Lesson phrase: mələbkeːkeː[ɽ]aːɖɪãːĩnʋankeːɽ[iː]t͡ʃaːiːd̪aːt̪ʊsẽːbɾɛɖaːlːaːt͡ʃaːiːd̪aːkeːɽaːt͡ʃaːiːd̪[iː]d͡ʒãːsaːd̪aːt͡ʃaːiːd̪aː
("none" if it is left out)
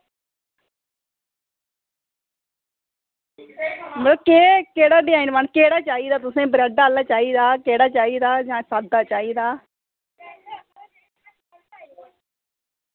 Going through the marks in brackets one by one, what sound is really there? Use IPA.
ɽ, aː, aː

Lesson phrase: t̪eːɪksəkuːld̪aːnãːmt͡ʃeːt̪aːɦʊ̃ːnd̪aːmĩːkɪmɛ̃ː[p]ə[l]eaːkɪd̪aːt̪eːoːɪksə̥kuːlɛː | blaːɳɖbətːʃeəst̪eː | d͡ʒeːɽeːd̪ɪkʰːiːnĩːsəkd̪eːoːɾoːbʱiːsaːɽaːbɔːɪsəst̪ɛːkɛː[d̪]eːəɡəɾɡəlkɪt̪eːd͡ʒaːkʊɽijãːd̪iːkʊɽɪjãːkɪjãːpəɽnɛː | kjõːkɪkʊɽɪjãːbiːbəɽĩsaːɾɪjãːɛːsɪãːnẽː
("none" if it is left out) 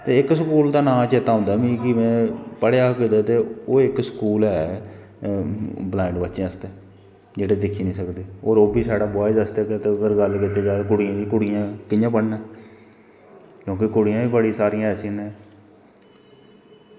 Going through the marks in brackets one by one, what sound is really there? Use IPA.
p, ɽ, t̪

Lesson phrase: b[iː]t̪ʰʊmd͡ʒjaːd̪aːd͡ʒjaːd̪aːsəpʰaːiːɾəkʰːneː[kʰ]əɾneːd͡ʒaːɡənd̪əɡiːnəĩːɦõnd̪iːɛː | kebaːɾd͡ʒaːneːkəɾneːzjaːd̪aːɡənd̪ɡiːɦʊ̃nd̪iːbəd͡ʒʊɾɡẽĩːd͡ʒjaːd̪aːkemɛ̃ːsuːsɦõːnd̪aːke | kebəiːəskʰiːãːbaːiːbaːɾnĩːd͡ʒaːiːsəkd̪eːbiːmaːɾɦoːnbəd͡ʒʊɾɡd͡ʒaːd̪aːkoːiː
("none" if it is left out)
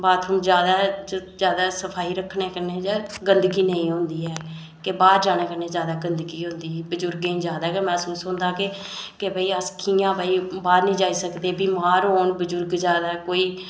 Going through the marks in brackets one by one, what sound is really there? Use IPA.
aː, k

